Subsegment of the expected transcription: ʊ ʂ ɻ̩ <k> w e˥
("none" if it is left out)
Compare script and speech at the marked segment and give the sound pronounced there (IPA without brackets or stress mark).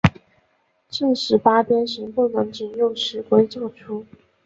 k